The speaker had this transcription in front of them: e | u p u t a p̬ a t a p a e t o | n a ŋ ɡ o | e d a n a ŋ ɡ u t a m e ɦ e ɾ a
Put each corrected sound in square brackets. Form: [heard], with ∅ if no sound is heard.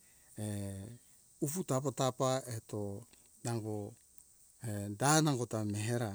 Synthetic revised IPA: e | u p u t a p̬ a t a p a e t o | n a ŋ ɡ o | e d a n a ŋ ɡ [o] t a m e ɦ e ɾ a